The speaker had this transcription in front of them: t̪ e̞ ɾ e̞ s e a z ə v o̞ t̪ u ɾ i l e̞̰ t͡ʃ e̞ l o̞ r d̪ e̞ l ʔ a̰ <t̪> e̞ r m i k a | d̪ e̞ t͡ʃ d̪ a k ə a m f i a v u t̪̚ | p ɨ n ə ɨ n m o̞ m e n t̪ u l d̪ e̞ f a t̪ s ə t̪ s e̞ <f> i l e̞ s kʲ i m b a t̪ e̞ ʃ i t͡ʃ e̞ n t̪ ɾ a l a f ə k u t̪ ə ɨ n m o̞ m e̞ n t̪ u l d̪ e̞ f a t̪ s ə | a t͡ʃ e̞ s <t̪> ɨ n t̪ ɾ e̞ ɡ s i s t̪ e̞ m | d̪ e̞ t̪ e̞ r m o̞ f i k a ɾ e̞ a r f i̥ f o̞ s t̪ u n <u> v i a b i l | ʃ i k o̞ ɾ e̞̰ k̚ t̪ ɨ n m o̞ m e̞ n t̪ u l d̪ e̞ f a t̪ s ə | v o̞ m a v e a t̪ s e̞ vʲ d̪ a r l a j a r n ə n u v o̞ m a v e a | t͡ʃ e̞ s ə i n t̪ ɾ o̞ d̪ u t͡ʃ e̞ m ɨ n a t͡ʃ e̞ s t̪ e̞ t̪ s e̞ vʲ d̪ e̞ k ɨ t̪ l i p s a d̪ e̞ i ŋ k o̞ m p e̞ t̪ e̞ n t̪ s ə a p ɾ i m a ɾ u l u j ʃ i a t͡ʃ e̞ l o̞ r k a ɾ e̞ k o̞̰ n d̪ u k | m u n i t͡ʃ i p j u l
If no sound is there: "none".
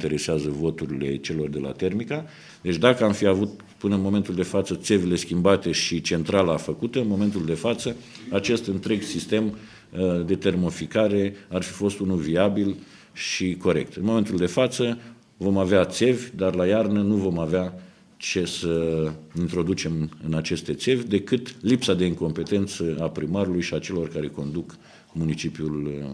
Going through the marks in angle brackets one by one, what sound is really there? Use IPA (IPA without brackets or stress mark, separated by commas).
t̪, v, t̪, u